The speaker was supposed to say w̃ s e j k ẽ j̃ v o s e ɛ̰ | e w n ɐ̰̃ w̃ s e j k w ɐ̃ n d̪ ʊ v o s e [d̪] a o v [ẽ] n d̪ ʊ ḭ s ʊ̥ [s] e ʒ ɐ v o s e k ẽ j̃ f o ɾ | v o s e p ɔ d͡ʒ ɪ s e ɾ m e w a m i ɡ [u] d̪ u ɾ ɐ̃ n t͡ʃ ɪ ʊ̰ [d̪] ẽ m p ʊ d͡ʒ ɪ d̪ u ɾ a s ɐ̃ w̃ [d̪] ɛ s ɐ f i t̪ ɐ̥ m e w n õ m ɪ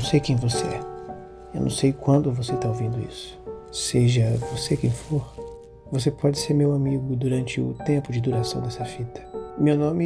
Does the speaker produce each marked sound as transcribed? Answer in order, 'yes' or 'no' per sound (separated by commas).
no, no, yes, no, no, yes